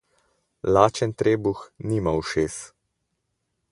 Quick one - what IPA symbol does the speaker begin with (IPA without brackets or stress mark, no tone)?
l